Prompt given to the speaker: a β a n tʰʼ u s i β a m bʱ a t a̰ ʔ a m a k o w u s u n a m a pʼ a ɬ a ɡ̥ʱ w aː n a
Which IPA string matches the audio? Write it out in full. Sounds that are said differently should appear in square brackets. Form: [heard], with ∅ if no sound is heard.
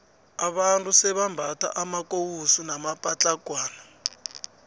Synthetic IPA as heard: a β a n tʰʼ u s [ɛ] β a m bʱ a t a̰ ʔ a m a k o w u s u n a m a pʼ a [t͡ɬ] a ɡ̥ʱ w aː n a